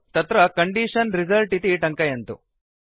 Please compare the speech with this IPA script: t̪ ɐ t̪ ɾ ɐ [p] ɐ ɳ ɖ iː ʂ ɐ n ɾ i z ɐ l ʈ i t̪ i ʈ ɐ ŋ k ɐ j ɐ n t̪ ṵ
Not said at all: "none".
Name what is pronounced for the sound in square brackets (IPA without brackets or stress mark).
k